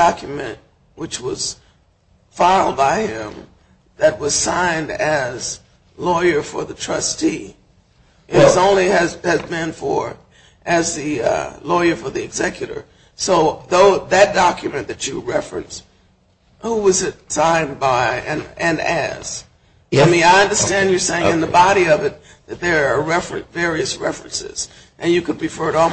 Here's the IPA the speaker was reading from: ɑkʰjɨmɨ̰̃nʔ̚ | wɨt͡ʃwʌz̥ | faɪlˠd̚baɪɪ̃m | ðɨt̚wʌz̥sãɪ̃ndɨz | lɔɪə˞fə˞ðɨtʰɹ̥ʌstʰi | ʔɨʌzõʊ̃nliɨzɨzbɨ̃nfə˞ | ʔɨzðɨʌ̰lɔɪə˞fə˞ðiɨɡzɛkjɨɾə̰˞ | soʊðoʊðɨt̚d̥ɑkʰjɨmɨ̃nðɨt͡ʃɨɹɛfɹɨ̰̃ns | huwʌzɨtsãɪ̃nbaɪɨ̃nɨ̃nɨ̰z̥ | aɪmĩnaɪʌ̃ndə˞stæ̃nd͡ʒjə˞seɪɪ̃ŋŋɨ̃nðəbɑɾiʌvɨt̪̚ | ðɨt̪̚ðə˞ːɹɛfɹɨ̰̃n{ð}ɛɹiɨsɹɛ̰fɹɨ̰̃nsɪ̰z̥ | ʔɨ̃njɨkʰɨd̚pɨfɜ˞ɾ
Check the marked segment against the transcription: incorrect: v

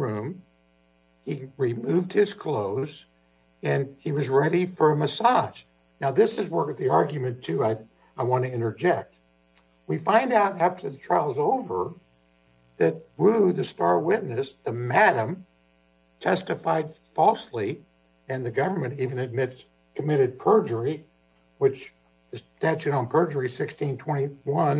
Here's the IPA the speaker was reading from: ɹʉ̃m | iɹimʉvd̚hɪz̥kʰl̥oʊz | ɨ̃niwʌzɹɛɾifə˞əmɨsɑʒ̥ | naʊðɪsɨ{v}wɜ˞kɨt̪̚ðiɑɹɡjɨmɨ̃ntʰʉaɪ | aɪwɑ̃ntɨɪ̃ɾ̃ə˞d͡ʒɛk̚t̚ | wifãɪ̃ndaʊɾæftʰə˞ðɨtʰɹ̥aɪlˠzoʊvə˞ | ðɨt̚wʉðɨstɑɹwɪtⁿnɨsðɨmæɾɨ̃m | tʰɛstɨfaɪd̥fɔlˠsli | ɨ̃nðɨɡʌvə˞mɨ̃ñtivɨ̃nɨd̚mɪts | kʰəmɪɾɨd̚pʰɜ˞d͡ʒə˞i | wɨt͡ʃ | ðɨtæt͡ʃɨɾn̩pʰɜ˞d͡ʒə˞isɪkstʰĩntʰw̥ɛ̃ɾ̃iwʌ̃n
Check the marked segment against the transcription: incorrect: z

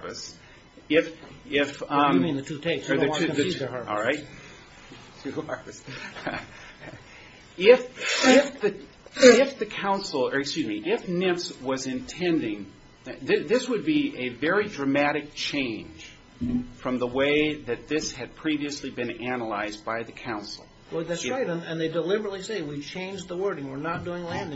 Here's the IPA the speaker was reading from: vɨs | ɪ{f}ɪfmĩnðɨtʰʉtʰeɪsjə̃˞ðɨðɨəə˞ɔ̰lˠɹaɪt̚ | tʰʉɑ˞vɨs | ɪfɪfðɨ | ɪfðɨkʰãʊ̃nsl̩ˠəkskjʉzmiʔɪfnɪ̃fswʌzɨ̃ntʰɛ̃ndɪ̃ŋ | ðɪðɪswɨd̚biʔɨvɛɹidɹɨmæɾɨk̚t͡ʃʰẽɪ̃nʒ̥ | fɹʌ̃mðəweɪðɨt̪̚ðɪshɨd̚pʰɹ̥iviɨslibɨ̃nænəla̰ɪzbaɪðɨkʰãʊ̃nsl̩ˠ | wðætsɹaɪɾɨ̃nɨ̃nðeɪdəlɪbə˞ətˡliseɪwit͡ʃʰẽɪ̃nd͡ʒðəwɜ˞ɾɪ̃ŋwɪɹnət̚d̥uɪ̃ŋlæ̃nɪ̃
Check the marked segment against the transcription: correct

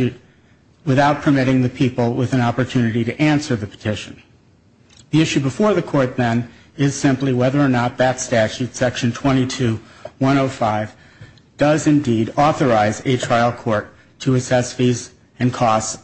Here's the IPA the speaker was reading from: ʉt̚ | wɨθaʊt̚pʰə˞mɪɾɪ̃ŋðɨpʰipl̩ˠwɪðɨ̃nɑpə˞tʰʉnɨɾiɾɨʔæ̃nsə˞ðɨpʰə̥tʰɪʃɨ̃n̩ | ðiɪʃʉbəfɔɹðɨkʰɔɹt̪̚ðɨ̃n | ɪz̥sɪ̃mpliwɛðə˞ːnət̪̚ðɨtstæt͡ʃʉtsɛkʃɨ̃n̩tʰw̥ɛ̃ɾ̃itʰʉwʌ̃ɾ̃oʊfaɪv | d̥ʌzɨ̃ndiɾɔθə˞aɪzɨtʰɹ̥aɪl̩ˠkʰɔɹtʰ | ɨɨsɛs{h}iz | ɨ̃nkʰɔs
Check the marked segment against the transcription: incorrect: f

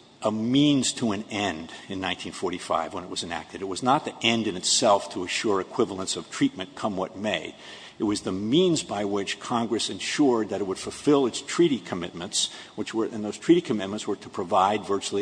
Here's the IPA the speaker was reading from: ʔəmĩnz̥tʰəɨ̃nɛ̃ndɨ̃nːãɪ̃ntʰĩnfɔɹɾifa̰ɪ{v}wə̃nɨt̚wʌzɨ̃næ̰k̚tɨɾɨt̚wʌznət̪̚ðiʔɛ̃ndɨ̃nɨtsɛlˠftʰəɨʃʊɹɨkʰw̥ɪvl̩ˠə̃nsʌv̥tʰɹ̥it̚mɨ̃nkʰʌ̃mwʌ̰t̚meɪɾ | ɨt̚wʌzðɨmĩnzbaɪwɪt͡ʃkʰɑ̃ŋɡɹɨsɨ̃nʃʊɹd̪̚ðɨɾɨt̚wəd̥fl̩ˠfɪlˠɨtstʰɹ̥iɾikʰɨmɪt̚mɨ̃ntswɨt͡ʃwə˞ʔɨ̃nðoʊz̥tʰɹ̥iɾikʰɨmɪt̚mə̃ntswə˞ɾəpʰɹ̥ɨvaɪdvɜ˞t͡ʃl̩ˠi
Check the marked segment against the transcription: correct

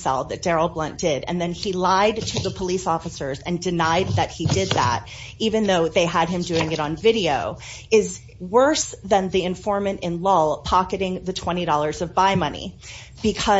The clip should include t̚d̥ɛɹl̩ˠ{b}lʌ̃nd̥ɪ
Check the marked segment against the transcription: correct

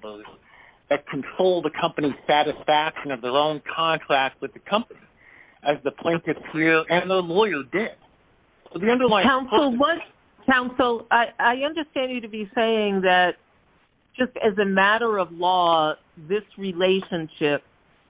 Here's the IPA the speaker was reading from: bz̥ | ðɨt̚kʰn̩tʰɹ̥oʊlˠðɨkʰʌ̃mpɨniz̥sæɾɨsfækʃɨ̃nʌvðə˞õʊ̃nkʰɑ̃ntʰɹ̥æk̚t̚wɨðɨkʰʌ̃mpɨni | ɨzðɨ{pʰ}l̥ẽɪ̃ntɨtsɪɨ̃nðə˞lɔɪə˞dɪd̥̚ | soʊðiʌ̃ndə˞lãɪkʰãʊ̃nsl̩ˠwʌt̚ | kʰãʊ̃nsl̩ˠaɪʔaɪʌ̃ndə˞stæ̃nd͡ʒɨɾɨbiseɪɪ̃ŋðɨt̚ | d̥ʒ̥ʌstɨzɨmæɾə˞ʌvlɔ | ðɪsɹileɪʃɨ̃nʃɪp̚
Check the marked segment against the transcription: correct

